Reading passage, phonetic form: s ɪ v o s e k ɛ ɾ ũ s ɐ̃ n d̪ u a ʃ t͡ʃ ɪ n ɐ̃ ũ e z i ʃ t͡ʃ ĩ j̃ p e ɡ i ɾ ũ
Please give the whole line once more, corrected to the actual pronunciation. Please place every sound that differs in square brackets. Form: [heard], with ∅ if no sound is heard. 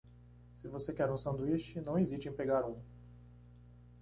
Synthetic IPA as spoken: s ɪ v o s e k ɛ ɾ ũ s ɐ̃ n d̪ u [i] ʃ t͡ʃ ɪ n ɐ̃ [w̃] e z i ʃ t͡ʃ [ẽ] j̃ p e ɡ [a] ɾ ũ